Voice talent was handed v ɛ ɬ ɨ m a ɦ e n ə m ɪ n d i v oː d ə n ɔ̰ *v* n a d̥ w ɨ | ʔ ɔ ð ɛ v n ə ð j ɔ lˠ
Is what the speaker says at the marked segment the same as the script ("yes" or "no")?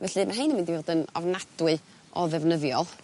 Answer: yes